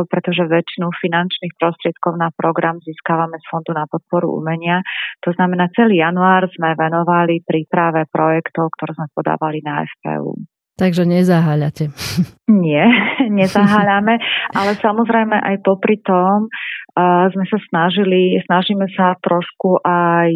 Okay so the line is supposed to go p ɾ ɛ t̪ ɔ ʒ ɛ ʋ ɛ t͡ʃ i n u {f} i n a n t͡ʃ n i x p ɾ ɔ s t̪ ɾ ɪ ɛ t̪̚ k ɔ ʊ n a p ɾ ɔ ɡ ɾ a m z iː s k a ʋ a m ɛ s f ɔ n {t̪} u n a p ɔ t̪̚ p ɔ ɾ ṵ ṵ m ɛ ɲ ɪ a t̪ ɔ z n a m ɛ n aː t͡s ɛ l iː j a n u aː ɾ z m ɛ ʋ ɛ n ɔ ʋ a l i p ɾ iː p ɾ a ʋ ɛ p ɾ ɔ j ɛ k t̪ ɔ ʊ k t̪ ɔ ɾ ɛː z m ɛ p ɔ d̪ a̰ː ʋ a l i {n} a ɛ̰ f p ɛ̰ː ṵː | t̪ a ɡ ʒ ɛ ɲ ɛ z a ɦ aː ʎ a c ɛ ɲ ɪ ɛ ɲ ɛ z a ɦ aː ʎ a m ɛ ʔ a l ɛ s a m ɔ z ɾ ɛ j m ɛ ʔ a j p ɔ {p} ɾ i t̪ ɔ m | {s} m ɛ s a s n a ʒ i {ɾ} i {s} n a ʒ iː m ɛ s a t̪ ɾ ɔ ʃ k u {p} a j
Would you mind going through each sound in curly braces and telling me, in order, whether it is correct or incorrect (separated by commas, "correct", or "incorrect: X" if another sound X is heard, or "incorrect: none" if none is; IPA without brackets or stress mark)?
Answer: correct, incorrect: d̪, correct, correct, incorrect: z, incorrect: l, correct, incorrect: ʔ